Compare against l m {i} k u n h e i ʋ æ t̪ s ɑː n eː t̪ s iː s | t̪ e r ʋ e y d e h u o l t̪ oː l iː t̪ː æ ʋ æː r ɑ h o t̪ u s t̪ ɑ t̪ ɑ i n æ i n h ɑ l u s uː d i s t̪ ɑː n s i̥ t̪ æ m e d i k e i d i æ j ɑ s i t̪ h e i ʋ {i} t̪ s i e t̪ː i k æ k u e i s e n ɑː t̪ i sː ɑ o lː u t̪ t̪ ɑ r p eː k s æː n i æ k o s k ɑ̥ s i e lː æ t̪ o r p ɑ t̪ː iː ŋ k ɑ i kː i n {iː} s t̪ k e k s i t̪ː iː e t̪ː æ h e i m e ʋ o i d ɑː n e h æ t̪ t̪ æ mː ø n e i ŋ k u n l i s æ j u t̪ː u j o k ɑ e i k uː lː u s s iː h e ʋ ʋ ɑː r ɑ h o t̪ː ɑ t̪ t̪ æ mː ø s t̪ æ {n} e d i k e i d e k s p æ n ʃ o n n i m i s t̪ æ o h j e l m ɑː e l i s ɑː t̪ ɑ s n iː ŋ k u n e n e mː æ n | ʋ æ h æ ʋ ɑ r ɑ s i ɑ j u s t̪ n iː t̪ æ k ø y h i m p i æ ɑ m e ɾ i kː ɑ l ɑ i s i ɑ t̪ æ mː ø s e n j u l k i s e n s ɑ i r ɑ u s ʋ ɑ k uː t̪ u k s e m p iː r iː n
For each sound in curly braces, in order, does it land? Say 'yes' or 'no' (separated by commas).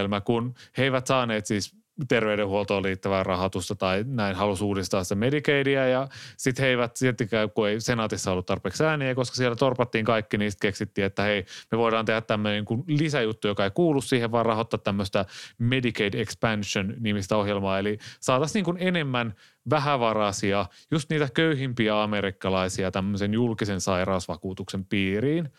no, no, yes, no